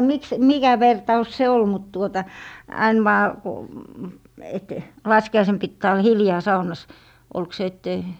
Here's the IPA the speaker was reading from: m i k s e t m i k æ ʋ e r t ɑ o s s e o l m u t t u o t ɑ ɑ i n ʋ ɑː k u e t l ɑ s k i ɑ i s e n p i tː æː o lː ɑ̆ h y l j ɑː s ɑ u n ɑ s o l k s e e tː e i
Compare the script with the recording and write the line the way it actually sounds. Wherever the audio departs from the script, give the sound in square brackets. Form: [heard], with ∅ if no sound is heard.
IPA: m i k s e t m i k æ ʋ e r t ɑ [u] s s e o l m u t t u o t ɑ ɑ i n ʋ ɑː k u e t l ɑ s k i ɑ i s e n p i tː æː o lː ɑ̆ h [i] l j ɑː s ɑ u n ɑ s o l k s e e tː e i